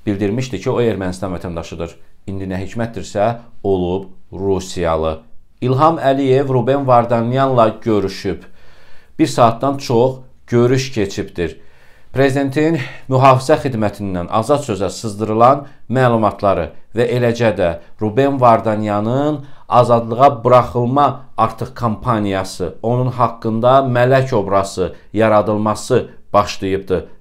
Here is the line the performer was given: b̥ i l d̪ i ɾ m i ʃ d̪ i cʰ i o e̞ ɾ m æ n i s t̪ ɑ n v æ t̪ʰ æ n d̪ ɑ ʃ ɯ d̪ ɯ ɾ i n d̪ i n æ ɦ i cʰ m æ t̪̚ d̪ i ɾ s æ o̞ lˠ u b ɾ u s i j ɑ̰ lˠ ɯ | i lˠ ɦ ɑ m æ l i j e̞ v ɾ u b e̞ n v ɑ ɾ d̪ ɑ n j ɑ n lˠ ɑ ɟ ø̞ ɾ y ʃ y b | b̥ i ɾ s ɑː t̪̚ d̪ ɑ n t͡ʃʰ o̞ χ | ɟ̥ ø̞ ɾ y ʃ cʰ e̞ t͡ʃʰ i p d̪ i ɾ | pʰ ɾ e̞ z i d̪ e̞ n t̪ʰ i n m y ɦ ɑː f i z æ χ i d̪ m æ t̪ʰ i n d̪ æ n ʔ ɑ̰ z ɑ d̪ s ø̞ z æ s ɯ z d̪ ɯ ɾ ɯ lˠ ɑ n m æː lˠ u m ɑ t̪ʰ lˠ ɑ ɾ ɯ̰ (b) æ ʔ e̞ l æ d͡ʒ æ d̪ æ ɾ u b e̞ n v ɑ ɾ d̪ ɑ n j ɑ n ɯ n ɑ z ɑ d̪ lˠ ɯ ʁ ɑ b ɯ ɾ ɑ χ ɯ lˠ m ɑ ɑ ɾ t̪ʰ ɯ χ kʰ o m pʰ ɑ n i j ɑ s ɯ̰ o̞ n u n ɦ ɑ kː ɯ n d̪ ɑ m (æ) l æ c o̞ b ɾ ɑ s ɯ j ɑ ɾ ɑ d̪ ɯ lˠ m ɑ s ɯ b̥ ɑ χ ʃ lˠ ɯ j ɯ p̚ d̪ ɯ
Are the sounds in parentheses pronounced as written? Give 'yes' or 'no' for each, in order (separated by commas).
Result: no, yes